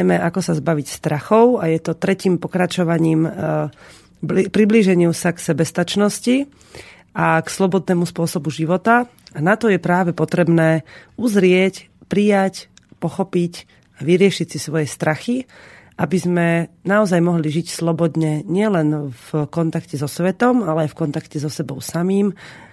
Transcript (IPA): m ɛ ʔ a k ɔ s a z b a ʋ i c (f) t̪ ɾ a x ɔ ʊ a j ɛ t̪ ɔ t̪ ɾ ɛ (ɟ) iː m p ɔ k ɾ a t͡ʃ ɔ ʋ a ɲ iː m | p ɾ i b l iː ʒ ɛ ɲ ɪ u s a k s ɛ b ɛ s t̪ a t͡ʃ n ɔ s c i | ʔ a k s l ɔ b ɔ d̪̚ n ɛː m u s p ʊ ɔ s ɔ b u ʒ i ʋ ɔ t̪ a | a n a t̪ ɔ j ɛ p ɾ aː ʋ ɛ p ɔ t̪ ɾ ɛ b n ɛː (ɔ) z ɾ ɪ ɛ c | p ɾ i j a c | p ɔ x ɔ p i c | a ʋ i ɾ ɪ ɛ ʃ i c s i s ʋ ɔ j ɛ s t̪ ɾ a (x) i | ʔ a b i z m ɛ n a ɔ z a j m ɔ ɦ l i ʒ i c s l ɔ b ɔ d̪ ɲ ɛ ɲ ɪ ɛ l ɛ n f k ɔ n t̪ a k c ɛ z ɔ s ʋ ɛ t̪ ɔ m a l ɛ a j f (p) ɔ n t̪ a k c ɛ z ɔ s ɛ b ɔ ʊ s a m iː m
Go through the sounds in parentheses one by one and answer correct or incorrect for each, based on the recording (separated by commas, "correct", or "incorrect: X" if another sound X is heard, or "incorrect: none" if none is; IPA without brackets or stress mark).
incorrect: s, incorrect: c, incorrect: u, correct, incorrect: k